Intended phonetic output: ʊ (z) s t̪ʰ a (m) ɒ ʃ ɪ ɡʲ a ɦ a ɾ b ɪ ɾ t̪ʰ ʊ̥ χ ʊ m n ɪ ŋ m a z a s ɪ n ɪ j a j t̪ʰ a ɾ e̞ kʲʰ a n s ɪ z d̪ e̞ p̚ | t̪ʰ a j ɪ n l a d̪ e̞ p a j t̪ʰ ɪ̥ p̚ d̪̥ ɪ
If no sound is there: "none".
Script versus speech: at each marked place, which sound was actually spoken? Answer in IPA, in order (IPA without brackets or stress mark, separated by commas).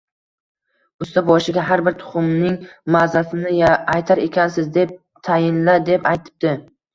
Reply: none, b